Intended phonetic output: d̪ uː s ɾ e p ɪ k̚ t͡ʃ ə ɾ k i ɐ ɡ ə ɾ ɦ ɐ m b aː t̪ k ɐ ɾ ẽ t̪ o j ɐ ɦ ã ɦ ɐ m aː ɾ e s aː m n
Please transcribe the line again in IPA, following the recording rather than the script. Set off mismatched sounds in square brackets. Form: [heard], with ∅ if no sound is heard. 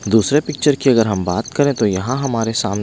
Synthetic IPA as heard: d̪ uː s ɾ e p ɪ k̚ t͡ʃ ə ɾ k i ɐ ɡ ə ɾ ɦ ɐ m b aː t̪ k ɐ ɾ ẽ t̪ o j ɐ ɦ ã ɦ ɐ m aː ɾ e s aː m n

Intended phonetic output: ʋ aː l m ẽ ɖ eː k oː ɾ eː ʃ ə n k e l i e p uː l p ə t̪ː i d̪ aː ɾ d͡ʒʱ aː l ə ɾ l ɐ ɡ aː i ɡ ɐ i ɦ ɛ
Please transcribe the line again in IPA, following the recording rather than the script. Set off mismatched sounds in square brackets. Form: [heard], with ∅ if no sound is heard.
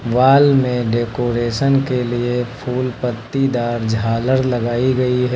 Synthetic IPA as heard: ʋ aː l m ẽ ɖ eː k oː ɾ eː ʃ ə n k e l i e [pʰ] uː l p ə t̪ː i d̪ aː ɾ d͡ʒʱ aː l ə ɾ l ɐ ɡ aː i ɡ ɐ i ɦ ɛ

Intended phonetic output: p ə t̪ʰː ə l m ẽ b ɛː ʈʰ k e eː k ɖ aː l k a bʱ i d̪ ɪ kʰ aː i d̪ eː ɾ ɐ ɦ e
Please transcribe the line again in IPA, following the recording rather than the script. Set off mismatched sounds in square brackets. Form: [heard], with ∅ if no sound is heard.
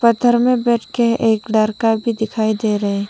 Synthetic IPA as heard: p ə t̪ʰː ə [ɾ] m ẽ b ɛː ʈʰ k e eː k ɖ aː [ɾ] k a bʱ i d̪ ɪ kʰ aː i d̪ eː ɾ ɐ ɦ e

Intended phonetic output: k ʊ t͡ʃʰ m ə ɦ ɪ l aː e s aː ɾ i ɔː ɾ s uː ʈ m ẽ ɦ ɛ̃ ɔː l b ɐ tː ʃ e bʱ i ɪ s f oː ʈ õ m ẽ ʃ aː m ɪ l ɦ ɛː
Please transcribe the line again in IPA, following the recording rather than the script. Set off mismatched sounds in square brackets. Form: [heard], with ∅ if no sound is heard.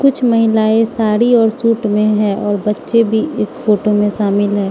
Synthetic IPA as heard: k ʊ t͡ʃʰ m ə ɦ ɪ l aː e s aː ɾ i ɔː ɾ s uː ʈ m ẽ ɦ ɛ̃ ɔː [ɾ] b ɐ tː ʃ e bʱ i ɪ s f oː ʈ [o] m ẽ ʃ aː m ɪ l ɦ ɛː

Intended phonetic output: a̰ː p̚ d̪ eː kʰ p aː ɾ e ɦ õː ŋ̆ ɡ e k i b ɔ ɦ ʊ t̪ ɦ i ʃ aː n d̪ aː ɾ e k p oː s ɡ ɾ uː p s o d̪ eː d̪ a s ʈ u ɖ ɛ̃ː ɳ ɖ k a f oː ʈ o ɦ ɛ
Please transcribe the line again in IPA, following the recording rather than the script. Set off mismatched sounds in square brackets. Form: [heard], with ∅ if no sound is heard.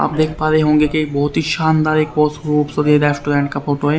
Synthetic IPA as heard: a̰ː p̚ d̪ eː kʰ p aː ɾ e ɦ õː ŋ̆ ɡ e k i b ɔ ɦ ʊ t̪ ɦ i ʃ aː n d̪ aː ɾ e k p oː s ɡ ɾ uː p s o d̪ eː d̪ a s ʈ u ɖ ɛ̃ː ɳ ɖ k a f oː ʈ o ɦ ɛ

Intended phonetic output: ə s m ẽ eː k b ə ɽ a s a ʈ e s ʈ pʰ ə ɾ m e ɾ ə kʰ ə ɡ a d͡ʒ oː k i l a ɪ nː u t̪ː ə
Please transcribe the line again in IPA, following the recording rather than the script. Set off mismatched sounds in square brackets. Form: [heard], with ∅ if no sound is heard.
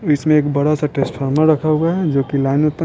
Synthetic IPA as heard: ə s m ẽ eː k b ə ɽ a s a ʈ e s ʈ pʰ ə ɾ m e ɾ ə kʰ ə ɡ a d͡ʒ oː k i l a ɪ [n] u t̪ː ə

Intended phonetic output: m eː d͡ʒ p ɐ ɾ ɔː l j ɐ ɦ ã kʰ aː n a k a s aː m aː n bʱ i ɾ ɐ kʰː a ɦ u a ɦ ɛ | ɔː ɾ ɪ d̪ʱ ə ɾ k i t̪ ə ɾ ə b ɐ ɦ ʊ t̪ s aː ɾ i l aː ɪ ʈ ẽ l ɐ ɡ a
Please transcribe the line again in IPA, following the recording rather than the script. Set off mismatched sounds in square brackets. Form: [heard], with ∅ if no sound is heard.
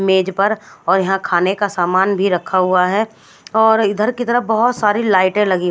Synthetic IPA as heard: m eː d͡ʒ p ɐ ɾ ɔː [ɾ] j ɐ ɦ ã kʰ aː n [e] k a s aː m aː n bʱ i ɾ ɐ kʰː a ɦ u a ɦ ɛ | ɔː ɾ ɪ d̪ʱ ə ɾ k i t̪ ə ɾ ə b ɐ ɦ ʊ t̪ s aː ɾ i l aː ɪ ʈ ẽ l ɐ ɡ [i]

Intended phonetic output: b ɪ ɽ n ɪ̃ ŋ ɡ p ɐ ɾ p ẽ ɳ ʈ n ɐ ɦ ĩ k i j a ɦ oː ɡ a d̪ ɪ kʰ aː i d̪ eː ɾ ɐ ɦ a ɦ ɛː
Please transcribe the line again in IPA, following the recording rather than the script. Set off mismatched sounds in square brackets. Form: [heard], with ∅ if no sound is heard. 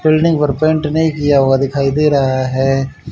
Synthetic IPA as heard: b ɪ [l] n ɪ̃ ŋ ɡ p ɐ ɾ p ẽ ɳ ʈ n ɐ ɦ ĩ k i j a ɦ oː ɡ a d̪ ɪ kʰ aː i d̪ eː ɾ ɐ ɦ a ɦ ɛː

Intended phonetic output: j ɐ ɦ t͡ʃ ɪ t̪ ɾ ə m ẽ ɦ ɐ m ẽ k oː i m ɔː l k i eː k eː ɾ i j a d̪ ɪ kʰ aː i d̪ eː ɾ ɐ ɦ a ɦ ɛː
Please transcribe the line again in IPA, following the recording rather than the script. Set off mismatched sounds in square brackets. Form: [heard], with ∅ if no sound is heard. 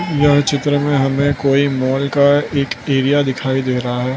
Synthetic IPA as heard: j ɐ ɦ t͡ʃ ɪ t̪ ɾ ə m ẽ ɦ ɐ m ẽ k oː i m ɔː l k [a] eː k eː ɾ i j a d̪ ɪ kʰ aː i d̪ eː ɾ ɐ ɦ a ɦ ɛː

